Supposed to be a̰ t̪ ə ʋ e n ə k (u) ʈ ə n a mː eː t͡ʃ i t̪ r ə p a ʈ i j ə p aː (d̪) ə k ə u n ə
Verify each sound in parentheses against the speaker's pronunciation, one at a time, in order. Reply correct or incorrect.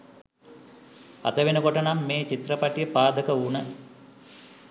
incorrect, correct

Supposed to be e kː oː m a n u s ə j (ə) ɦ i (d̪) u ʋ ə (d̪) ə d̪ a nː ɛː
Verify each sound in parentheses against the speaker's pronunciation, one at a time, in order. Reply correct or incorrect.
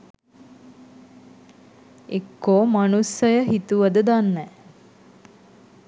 correct, incorrect, correct

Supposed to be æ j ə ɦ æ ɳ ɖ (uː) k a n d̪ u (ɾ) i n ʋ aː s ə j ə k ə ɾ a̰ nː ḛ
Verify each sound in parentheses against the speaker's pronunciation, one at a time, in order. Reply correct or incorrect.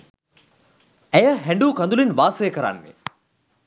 correct, incorrect

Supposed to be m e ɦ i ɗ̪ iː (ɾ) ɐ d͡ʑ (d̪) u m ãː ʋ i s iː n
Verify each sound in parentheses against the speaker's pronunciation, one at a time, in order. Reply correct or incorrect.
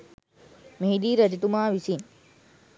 correct, incorrect

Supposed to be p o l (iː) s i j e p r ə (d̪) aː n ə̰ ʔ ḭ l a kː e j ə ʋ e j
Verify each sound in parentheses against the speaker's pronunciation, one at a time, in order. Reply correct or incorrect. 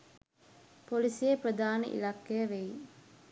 incorrect, correct

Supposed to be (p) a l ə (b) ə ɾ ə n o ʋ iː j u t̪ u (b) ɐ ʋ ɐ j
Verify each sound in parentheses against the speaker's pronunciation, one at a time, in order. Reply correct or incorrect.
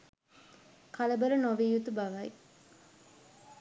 incorrect, correct, correct

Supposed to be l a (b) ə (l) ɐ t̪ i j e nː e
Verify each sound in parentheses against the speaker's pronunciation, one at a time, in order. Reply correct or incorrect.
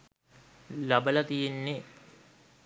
correct, correct

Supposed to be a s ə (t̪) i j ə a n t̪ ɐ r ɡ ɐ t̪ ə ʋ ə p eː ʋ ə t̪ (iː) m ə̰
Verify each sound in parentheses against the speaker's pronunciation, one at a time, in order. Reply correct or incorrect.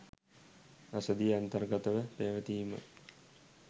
incorrect, correct

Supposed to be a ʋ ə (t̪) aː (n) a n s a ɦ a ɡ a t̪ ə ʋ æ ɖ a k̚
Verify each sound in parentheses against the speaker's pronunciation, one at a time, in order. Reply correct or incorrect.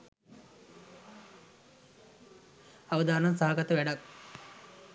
incorrect, correct

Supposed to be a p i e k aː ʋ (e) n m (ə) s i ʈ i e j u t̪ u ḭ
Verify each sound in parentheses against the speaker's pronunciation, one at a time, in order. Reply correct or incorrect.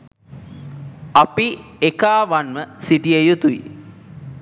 incorrect, correct

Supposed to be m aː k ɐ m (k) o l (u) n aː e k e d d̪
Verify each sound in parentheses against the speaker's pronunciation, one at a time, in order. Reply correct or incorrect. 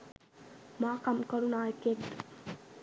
correct, correct

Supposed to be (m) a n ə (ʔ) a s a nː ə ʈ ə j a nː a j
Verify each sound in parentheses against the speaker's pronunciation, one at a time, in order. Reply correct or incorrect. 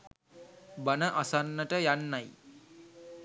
incorrect, correct

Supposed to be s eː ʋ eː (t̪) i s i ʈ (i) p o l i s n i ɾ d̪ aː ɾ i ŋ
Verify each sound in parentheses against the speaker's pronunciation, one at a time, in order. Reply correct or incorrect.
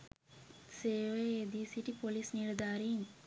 incorrect, correct

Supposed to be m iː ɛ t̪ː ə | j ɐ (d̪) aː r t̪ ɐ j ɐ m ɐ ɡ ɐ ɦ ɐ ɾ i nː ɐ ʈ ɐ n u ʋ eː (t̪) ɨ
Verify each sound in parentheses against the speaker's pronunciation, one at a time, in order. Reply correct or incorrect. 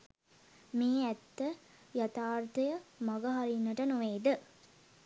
incorrect, incorrect

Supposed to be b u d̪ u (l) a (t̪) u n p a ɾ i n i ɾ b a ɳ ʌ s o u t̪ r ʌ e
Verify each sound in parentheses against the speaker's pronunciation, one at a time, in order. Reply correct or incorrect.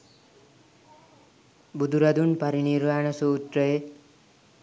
incorrect, incorrect

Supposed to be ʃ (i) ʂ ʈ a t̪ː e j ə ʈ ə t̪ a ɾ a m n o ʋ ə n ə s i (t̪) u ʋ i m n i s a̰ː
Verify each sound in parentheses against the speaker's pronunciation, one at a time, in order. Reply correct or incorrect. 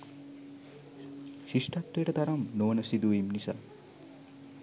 correct, incorrect

